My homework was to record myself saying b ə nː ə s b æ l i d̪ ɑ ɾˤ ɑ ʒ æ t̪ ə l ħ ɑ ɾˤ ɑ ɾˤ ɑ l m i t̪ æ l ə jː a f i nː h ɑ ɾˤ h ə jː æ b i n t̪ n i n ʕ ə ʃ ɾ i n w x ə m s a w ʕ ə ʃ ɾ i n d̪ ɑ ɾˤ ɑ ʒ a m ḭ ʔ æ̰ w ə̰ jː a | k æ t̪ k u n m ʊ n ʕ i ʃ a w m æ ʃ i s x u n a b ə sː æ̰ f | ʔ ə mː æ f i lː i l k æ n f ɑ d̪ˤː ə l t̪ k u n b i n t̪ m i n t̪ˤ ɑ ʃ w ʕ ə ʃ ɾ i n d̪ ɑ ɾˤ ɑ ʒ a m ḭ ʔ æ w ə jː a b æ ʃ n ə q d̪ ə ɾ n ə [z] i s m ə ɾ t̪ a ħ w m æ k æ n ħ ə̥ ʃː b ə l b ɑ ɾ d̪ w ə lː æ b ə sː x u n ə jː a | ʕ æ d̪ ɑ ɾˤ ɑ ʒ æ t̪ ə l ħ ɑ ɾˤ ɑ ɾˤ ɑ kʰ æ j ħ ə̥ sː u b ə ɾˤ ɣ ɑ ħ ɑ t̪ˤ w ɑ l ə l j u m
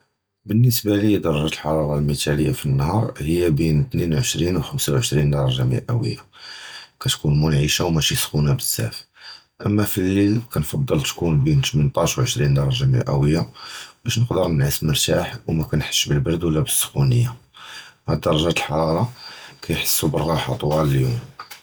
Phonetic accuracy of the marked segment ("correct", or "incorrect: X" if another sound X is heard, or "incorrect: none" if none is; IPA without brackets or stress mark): incorrect: ʕ